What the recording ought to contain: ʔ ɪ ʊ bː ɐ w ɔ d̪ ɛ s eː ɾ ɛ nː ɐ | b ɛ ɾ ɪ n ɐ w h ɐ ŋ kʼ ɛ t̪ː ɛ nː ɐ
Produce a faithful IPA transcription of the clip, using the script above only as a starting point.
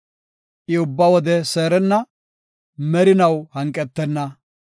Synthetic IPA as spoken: ʔ ɪ ʊ bː ɐ w ɔ d̪ ɛ s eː ɾ ɛ nː ɐ | m ɛ ɾ ɪ n ɐ w h ɐ ŋ kʼ ɛ t̪ː ɛ nː ɐ